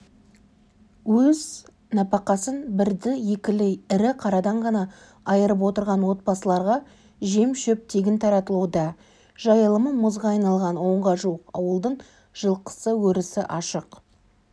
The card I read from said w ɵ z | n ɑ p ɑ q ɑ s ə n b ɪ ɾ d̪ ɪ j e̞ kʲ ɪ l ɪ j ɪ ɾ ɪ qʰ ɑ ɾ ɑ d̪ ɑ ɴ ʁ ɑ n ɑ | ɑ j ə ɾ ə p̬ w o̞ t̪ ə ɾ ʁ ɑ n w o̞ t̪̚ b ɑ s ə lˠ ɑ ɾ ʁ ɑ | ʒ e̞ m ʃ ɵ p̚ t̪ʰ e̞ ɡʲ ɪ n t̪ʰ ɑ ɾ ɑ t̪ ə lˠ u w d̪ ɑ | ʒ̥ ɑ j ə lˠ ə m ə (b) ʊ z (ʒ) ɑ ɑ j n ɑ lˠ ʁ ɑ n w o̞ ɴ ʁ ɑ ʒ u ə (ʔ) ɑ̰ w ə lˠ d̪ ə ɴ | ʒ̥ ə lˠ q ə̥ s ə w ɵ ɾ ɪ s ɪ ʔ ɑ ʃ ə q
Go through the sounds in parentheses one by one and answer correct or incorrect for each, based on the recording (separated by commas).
incorrect, incorrect, incorrect